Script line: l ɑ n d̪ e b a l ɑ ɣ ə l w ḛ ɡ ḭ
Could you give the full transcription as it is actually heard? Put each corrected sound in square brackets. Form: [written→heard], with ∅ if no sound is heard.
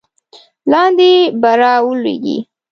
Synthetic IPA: l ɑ n d̪ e b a [l→ɾ] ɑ [ɣ→w] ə l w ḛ ɡ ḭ